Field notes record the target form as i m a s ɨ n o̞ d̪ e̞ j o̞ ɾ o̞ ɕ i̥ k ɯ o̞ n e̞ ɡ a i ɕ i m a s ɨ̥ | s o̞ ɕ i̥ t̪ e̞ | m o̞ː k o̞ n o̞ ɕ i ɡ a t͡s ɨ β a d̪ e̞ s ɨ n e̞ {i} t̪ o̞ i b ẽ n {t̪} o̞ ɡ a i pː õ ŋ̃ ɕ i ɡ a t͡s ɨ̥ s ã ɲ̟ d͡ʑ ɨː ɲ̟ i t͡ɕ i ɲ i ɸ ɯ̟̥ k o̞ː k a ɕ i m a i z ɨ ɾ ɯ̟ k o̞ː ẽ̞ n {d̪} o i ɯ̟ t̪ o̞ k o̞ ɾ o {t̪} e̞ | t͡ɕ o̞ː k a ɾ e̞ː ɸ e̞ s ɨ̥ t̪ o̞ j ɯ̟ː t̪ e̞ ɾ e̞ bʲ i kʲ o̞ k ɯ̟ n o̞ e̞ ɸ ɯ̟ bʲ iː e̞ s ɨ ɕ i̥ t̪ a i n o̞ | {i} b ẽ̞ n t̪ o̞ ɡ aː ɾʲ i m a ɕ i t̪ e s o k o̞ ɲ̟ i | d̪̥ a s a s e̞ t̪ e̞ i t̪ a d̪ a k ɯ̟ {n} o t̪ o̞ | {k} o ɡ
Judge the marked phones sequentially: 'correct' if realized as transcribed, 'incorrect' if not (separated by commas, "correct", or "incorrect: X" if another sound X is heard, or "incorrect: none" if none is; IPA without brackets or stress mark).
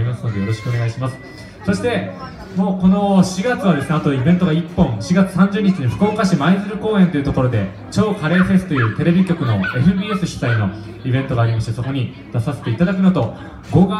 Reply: incorrect: a, correct, incorrect: t̪, incorrect: d̪, correct, correct, incorrect: ɡ